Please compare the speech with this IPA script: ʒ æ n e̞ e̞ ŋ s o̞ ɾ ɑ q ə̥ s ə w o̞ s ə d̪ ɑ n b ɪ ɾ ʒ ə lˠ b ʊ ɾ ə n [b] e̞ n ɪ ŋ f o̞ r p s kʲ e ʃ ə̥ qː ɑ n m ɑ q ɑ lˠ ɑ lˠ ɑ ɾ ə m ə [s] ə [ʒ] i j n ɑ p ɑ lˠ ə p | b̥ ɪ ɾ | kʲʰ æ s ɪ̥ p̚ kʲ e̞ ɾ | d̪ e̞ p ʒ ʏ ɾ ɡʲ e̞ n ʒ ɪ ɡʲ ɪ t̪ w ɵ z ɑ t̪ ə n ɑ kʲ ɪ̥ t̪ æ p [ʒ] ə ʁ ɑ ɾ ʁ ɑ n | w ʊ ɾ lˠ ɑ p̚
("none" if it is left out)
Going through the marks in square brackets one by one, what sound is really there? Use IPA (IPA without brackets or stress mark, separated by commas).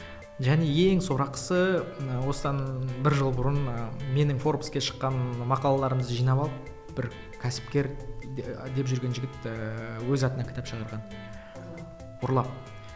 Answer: m, z, ʒ, ʃ